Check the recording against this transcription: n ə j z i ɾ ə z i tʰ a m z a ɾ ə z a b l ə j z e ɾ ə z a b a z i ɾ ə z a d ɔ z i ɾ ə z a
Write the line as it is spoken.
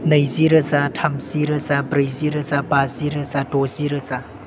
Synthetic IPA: n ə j z i ɾ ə z a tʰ a m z i ɾ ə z a b ɾ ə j z i ɾ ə z a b a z i ɾ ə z a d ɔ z i ɾ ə z a